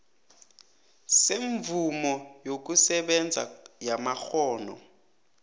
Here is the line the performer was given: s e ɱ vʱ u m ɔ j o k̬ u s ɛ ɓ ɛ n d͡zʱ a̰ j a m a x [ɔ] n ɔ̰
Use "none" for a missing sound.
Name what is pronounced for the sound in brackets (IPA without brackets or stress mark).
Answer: ɔː